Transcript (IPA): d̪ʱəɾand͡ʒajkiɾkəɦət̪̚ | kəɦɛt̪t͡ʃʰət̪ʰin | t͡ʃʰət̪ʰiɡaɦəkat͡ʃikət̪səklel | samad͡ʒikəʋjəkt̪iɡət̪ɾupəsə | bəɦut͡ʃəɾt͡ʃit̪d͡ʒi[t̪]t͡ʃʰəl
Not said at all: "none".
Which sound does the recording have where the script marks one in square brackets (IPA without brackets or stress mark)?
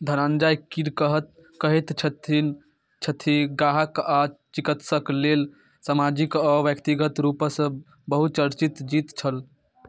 t̪